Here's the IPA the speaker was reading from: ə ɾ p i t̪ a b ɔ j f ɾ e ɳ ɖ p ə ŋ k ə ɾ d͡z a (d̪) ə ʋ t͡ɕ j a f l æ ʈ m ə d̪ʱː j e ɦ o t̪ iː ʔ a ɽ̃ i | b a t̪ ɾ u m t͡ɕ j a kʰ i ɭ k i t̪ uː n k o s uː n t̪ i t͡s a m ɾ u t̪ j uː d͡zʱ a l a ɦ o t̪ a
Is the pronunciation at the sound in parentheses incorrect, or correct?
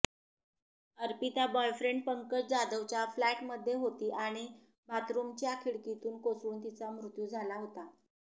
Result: correct